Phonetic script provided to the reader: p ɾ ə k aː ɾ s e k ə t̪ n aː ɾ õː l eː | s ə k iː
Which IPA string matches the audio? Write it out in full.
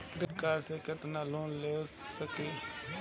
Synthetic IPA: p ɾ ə k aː ɾ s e k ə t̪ n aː l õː l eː | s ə k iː